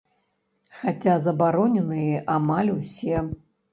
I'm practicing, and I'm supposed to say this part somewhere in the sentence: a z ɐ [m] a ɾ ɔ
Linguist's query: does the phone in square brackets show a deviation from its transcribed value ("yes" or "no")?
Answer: yes